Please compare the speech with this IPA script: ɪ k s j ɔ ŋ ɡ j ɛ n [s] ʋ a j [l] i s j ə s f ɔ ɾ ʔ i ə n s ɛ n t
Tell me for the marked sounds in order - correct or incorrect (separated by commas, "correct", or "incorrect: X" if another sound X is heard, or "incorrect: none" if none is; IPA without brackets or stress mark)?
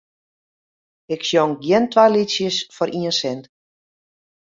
incorrect: t, correct